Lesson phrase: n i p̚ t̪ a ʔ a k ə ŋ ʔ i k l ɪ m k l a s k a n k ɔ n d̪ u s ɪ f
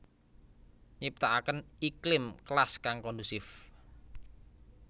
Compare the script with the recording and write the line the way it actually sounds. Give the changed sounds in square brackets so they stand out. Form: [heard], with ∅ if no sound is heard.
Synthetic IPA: [ɲ] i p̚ t̪ a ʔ a k ə [n] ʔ i k l ɪ m k l a s k a [ŋ] k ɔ n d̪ u s ɪ f